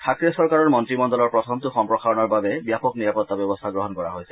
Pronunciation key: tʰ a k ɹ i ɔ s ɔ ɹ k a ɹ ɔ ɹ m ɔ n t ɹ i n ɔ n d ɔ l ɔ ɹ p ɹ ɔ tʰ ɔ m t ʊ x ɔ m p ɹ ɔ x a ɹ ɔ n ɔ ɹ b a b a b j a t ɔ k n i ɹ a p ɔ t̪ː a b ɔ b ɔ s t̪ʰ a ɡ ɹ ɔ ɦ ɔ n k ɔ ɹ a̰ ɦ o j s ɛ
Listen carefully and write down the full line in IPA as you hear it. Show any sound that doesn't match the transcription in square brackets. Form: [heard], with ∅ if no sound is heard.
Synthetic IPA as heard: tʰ a k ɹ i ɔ s ɔ ɹ k a ɹ ɔ ɹ m ɔ n t ɹ i [m] ɔ n d ɔ l ɔ ɹ p ɹ ɔ tʰ ɔ m t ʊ x ɔ m p ɹ ɔ x a ɹ ɔ n ɔ ɹ b a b [ɛ] b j a [p] ɔ k n i ɹ a p ɔ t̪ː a b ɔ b ɔ s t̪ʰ a ɡ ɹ ɔ ɦ ɔ n k ɔ ɹ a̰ ɦ o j s ɛ